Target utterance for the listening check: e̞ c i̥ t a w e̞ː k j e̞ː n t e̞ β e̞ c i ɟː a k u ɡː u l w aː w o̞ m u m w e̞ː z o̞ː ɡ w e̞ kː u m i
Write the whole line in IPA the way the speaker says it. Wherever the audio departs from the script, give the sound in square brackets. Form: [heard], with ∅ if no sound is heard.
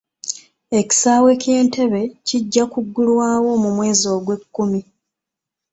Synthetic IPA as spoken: e̞ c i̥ [s] a w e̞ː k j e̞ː n t e̞ β e̞ c i ɟː a k u ɡː u l w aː w o̞ m u m w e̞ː z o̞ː ɡ w e̞ kː u m i